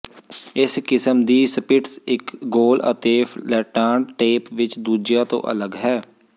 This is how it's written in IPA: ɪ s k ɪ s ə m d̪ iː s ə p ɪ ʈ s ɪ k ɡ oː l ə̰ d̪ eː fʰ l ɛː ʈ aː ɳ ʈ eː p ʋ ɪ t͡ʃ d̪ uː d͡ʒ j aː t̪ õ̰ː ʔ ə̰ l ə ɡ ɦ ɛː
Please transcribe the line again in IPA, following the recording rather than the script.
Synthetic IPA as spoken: ɪ s k ɪ s ə m d̪ iː s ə p ɪ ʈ s ɪ k ɡ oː l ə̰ t̪ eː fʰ l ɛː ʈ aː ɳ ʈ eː p ʋ ɪ t͡ʃ d̪ uː d͡ʒ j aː t̪ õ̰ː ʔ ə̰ l ə ɡ ɦ ɛː